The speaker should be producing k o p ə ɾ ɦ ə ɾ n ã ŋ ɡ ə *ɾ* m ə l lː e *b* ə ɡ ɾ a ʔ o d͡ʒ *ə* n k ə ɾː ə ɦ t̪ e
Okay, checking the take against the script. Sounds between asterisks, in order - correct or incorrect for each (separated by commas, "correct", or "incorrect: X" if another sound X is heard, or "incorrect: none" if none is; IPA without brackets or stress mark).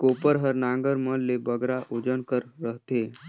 correct, correct, correct